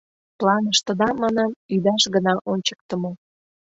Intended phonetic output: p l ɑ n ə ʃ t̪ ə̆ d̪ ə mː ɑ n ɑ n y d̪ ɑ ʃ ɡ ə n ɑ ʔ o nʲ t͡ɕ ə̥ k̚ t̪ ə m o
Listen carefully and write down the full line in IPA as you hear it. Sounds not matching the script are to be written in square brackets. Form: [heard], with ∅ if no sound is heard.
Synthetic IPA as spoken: p l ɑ n ə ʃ t̪ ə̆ d̪ [ɑ] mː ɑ n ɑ [m] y d̪ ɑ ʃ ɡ ə n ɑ ʔ o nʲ t͡ɕ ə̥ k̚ t̪ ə m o